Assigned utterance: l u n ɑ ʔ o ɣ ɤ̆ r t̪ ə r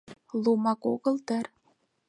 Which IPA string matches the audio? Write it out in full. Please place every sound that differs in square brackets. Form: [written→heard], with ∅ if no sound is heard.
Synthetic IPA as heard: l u [n→m] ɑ [ʔ→k] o ɣ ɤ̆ [r→l] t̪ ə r